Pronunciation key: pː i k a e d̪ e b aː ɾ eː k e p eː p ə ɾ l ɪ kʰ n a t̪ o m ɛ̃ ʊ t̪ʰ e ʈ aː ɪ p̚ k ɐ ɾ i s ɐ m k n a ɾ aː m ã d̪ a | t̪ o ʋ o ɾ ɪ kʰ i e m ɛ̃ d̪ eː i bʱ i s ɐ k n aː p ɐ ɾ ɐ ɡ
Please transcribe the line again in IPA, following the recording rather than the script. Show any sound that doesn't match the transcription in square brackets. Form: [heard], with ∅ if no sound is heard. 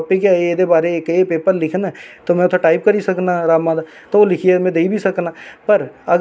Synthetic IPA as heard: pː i k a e d̪ e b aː ɾ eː k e p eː p ə ɾ l ɪ kʰ n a t̪ o m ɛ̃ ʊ t̪ʰ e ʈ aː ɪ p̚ k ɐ ɾ i s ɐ [∅] k n a ɾ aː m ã d̪ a | t̪ o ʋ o [l] ɪ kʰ i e m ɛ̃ d̪ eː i bʱ i s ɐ k n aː p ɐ ɾ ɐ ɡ